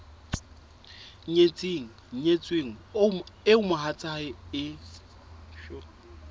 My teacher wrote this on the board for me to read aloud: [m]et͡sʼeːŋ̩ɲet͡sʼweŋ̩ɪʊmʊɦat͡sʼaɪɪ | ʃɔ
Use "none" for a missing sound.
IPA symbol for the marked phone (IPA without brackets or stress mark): ɲ